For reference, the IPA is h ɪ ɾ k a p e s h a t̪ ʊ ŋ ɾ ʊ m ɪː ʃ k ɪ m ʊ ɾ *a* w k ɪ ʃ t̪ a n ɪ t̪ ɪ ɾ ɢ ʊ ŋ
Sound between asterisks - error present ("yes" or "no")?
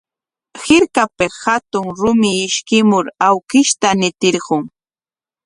no